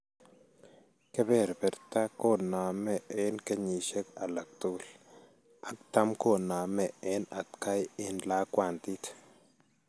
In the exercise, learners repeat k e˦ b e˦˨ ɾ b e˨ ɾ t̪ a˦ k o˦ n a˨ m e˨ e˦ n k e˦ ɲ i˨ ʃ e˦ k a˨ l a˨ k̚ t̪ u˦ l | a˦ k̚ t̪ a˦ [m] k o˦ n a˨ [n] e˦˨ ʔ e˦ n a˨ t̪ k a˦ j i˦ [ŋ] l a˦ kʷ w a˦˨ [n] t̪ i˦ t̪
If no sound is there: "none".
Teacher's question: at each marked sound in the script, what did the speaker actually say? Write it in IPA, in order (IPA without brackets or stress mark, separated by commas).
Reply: m, m, n, n